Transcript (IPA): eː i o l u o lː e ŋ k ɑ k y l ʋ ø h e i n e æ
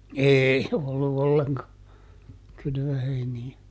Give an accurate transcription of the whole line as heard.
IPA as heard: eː i o lː u o lː e ŋ k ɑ k y l ʋ ø h e i n i æ